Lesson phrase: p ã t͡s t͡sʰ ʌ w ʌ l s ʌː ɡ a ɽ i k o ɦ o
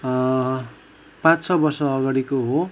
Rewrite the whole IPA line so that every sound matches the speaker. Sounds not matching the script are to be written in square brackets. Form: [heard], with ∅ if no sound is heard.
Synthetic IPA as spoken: p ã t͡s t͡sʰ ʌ [b] ʌ [r] s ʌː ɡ a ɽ i k o ɦ o